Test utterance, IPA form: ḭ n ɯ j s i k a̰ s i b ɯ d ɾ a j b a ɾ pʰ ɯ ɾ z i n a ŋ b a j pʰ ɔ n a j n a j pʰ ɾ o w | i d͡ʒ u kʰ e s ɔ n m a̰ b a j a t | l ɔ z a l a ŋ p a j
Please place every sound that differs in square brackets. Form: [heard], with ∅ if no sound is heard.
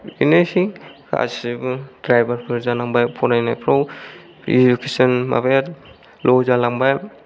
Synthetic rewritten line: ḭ n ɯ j s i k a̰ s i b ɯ d ɾ a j b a ɾ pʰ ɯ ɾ z [a] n a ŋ b a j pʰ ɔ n a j n a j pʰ ɾ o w | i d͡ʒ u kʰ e s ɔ n m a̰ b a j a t | l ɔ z a l a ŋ [b] a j